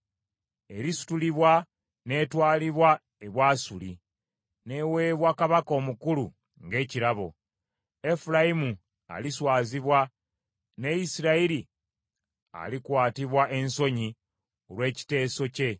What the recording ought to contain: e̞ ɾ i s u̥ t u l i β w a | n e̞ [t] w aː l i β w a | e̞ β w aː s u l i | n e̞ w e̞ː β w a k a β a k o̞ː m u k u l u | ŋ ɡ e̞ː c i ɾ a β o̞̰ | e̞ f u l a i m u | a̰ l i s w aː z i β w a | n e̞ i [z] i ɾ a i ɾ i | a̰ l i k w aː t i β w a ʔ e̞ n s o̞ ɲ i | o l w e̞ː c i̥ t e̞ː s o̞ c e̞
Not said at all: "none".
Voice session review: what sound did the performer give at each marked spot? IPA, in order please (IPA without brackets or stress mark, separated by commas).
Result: t, s